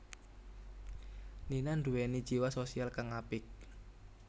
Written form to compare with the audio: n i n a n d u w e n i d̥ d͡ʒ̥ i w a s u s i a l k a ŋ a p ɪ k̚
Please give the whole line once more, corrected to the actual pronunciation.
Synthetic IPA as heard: n i n a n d u w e n i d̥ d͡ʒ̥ i w a s o s i a l k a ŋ a p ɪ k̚